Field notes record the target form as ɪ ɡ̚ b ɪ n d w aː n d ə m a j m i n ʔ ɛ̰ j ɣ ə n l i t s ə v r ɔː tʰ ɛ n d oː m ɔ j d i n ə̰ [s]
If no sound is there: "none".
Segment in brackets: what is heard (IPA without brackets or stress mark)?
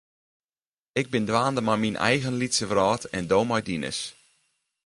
s